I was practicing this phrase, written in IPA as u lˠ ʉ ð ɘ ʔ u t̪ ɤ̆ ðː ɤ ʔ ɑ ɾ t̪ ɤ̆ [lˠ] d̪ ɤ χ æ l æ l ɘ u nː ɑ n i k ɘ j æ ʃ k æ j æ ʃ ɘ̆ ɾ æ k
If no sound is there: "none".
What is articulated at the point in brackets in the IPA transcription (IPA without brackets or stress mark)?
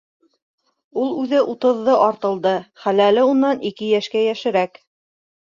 lˠ